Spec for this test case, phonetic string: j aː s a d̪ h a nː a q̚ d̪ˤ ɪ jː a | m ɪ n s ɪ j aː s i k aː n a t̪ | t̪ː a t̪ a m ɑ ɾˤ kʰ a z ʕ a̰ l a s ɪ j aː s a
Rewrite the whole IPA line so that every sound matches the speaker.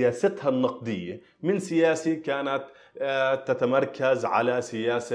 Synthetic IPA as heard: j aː s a t̪ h a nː ɑ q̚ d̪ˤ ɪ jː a | m ɪ n s ɪ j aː s i k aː n a t̪ | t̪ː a t̪ a m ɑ ɾˤ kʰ a z ʕ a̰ l a s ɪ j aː s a